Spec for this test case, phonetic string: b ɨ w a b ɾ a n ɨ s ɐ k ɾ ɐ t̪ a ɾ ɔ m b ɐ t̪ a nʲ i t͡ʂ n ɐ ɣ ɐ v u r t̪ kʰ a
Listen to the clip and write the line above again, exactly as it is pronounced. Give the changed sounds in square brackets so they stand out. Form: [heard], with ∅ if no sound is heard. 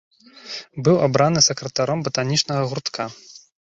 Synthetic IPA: b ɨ w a b ɾ a n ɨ s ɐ k ɾ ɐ t̪ a ɾ ɔ m b ɐ t̪ a nʲ i t͡ʂ n ɐ ɣ ɐ [ɣ] u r t̪ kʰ a